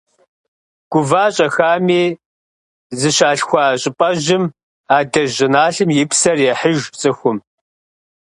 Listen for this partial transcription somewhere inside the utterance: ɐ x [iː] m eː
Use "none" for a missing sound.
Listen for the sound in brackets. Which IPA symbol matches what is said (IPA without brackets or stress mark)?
aː